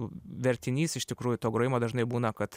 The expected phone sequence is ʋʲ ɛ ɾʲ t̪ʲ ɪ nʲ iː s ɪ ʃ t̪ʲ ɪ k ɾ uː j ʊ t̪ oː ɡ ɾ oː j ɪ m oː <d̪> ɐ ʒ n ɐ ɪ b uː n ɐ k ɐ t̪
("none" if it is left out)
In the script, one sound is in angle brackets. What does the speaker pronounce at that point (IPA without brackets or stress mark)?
d̪